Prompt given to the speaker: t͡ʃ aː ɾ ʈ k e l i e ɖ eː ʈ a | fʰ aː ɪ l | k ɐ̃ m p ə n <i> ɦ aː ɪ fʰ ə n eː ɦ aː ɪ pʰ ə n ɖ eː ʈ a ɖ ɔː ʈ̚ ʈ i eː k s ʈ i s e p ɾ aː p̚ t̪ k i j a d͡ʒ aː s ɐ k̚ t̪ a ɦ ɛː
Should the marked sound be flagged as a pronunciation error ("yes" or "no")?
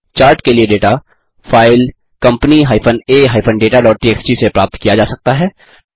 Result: no